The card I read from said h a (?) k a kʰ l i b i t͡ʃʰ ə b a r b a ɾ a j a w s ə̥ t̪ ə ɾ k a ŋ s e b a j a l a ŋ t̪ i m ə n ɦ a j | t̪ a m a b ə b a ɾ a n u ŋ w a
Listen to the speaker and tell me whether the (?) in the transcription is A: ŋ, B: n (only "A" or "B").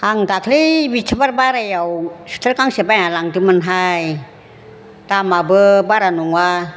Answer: A